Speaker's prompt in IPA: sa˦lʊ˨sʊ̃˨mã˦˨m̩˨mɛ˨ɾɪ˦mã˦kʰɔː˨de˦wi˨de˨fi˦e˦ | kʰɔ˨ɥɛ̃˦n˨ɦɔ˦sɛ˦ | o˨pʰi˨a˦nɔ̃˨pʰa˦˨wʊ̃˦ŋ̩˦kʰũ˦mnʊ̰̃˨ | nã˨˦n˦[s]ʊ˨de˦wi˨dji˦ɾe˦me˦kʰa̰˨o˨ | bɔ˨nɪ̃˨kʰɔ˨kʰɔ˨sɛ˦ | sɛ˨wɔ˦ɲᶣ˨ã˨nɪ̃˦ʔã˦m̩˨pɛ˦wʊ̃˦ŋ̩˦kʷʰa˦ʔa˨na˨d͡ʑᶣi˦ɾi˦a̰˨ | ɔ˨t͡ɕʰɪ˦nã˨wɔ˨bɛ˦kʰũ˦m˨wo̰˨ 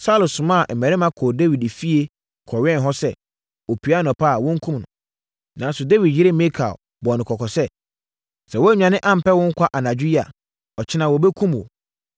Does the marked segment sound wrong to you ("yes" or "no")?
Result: no